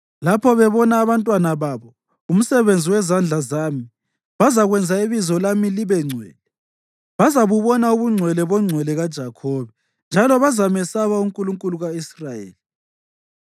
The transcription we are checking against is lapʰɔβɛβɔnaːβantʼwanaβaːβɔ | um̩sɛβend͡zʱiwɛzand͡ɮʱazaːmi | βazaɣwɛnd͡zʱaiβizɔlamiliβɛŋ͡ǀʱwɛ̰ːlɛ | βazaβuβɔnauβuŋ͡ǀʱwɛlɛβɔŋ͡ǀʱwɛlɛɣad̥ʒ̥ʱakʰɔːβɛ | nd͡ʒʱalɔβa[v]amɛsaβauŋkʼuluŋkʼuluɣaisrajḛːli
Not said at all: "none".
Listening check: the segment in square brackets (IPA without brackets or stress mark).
z